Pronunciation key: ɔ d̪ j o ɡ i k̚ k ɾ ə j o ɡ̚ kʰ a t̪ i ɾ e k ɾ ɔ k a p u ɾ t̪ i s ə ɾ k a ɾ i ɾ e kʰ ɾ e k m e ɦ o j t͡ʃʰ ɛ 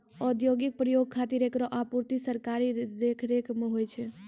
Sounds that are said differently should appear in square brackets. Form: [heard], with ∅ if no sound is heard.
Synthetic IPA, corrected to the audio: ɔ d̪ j o ɡ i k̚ [p] ɾ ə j o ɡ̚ kʰ a t̪ i ɾ e k ɾ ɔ [ʔ] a p u ɾ t̪ i s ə ɾ k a ɾ i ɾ e kʰ ɾ e k m e ɦ o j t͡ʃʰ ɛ